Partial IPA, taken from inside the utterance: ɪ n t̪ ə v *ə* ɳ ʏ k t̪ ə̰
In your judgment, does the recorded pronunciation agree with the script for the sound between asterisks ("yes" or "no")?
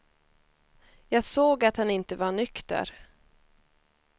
no